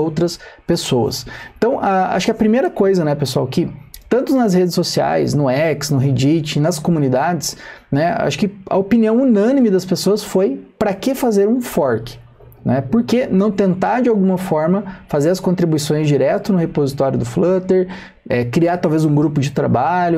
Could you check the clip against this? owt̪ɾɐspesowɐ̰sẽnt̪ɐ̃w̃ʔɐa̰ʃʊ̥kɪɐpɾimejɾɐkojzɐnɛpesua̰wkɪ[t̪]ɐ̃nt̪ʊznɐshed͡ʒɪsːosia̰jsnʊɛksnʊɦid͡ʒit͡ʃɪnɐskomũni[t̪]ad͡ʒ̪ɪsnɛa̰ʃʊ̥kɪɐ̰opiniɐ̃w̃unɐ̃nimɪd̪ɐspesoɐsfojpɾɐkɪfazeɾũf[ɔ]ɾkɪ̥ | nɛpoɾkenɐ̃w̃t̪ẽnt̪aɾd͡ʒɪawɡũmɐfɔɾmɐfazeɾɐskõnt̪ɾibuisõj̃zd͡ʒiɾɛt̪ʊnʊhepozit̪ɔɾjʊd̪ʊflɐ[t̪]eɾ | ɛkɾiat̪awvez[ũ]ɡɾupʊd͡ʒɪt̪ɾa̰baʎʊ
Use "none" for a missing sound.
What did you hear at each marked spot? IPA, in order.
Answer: t̪, d̪, ɔ, t̪, ũ

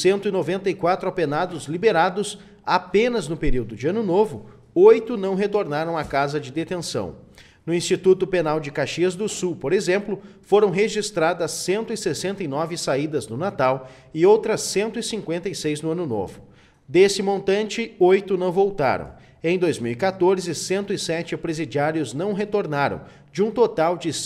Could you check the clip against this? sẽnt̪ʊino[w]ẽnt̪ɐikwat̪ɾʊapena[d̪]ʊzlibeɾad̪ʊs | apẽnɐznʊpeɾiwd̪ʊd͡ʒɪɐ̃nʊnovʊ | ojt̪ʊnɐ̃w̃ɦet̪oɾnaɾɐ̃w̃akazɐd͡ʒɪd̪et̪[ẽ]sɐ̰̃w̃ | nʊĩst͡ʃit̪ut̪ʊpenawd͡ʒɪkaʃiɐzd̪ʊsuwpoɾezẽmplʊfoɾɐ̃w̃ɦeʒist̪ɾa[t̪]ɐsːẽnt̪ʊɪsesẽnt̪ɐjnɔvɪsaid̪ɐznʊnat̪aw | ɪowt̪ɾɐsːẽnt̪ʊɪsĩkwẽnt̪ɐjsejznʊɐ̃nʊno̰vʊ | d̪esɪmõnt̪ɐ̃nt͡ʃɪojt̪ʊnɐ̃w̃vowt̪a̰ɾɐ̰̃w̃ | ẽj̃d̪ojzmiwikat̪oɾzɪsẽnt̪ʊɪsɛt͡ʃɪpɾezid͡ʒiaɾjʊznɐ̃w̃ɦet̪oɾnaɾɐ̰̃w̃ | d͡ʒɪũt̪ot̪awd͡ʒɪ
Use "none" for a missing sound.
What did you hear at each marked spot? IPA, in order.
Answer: v, d̪, ẽ, d̪

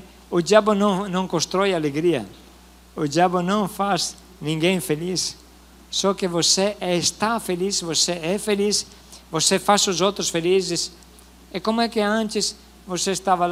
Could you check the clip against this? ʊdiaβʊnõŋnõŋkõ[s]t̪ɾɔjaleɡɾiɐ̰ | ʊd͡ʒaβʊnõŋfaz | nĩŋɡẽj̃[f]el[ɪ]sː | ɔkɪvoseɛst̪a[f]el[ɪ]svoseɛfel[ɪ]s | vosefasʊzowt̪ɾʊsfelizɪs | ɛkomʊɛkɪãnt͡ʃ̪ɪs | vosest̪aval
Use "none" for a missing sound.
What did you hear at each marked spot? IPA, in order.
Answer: s, f, i, f, i, i

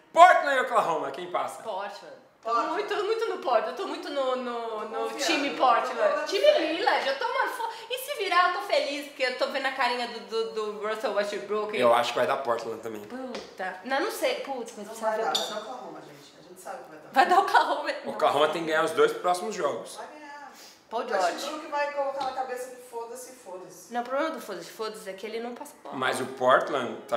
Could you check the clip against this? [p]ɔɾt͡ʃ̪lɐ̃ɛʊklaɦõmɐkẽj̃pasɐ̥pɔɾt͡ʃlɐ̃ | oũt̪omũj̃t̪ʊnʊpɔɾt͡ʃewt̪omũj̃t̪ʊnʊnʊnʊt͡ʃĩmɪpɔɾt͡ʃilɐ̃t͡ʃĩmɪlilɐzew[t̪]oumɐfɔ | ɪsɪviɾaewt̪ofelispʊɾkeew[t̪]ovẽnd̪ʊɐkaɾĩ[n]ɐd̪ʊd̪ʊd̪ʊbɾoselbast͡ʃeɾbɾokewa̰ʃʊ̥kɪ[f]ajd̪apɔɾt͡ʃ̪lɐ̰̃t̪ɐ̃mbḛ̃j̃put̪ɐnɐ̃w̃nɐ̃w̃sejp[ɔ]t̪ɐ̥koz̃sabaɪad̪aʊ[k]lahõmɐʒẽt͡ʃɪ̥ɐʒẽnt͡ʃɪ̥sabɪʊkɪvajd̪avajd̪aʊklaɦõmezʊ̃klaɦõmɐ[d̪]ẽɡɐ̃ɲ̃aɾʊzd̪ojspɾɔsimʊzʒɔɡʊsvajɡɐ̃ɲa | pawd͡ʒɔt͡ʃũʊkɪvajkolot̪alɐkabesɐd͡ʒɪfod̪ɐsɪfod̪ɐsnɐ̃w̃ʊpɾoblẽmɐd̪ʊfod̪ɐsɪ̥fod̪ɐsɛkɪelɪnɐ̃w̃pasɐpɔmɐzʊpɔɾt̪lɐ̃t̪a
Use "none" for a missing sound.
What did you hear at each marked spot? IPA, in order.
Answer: p, t̪, t̪, ɲ, v, u, k, t̪

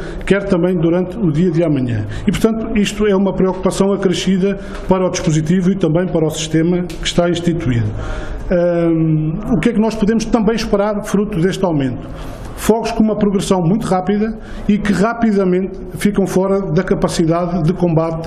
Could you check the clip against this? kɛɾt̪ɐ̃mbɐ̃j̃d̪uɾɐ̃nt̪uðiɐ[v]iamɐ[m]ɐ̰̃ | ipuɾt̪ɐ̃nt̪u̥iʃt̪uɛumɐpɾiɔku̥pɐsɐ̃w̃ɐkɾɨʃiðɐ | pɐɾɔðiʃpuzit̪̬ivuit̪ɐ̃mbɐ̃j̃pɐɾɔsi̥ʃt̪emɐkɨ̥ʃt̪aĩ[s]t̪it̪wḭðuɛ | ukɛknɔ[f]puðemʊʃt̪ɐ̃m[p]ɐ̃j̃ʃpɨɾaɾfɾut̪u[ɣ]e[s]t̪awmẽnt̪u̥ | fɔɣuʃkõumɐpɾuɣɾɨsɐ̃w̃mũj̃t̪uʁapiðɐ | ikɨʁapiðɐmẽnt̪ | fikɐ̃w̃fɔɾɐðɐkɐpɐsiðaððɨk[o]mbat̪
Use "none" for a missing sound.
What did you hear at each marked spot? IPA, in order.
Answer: ð, ɲ, ʃ, ʃ, b, ð, ʃ, õ

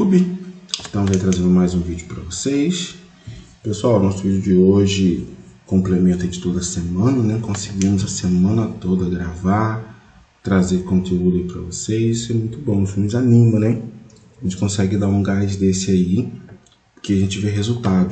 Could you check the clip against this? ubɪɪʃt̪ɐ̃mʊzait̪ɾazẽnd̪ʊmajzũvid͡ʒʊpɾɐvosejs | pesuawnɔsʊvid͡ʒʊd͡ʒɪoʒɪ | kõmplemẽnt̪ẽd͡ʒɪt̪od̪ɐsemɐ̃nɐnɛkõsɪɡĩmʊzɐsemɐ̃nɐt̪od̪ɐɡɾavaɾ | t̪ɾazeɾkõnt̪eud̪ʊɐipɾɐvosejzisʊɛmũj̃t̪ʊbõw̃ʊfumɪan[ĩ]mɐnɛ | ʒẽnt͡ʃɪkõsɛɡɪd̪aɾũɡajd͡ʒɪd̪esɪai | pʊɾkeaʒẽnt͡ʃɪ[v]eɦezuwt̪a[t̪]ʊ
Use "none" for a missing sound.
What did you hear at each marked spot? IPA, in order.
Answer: ĩ, v, d̪

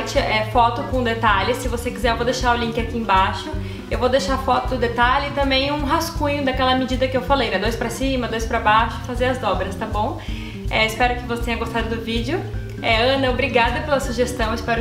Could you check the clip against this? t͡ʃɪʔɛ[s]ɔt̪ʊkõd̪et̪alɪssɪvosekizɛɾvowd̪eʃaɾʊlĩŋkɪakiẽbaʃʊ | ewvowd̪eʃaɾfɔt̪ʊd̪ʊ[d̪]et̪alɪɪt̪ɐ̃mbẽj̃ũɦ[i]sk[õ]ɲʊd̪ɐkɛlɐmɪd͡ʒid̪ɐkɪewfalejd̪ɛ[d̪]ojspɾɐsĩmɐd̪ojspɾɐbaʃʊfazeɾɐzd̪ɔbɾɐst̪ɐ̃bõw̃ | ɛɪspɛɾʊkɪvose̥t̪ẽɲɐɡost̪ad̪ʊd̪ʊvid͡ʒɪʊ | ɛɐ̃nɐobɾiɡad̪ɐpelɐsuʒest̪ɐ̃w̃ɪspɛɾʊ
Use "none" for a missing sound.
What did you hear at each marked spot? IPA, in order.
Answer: f, d̪, a, ũ, d̪

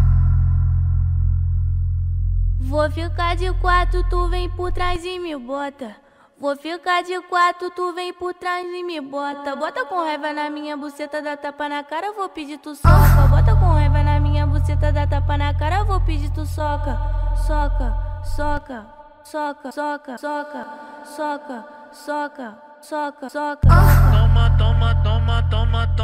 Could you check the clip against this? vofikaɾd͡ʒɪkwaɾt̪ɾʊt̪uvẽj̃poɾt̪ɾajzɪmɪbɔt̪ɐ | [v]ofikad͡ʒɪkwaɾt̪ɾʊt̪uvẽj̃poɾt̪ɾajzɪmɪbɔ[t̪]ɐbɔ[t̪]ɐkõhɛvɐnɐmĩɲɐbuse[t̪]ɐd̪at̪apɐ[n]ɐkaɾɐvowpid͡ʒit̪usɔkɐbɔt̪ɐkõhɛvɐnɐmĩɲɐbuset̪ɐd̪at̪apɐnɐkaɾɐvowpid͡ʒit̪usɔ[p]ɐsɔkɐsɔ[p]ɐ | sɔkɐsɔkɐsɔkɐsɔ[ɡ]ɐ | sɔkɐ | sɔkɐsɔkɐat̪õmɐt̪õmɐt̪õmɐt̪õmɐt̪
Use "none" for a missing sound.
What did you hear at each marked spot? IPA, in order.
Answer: v, t̪, t̪, t̪, n, k, k, k

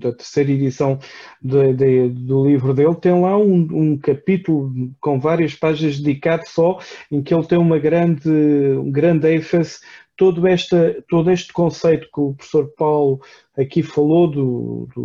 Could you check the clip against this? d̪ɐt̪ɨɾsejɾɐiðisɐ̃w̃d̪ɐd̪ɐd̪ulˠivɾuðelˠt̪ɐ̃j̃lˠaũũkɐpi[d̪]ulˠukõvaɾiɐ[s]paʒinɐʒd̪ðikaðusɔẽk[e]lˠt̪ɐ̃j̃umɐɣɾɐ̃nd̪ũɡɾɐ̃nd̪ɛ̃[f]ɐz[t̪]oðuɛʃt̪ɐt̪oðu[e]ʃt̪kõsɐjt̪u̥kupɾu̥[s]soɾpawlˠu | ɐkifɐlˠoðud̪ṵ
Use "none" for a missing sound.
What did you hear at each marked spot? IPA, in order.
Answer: t̪, ʃ, e, f, t̪, e, f

